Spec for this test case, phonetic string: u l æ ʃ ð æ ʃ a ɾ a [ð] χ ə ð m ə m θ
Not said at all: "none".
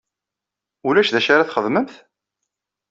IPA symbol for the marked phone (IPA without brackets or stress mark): θ